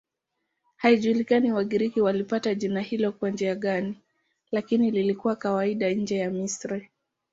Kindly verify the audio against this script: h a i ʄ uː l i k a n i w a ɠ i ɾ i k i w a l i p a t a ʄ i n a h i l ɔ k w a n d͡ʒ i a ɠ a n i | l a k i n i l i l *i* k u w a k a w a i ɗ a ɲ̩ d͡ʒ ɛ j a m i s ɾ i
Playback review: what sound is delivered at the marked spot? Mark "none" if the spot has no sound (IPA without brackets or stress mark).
i